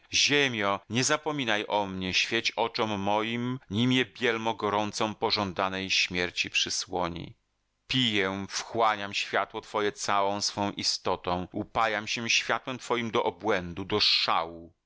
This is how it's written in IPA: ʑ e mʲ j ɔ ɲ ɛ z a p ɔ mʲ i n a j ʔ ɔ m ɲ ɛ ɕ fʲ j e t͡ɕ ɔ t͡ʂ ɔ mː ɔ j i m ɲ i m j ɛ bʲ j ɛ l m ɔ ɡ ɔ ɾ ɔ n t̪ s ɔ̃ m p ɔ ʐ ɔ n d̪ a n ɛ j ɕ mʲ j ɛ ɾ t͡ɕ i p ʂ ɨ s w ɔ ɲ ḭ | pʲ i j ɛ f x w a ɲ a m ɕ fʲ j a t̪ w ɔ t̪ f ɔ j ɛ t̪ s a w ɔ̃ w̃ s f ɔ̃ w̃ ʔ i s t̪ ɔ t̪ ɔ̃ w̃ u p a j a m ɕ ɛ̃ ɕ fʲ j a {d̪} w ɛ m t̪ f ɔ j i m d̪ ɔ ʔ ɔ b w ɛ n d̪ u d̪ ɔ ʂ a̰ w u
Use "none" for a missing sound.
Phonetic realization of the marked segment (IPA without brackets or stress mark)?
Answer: t̪